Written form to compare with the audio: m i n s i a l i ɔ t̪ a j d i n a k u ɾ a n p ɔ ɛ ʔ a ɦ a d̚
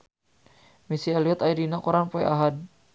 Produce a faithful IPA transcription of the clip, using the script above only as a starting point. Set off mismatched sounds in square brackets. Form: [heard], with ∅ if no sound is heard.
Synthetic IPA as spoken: m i [∅] s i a l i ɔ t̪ a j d i n a k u ɾ a n p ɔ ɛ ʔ a ɦ a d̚